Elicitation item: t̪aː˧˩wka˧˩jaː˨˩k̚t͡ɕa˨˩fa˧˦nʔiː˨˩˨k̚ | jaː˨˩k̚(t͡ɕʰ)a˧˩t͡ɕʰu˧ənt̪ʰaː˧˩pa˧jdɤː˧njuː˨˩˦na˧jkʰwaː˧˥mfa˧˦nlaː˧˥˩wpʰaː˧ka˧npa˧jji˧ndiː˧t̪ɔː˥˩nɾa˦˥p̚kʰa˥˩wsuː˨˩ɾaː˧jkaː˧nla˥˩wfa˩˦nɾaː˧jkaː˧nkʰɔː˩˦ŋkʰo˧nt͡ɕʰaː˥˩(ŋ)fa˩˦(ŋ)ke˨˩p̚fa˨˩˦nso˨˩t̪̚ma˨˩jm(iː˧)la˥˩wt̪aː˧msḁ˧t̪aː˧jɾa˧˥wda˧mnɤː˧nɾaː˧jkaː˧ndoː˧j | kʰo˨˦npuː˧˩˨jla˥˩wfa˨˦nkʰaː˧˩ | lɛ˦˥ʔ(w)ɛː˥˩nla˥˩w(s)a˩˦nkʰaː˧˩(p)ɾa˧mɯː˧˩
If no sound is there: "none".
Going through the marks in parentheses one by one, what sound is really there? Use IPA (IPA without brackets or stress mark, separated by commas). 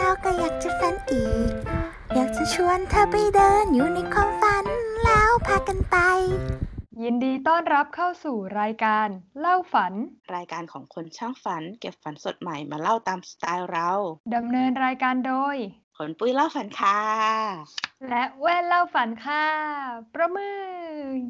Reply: t͡ɕ, ŋ, n, aː˧, w, f, p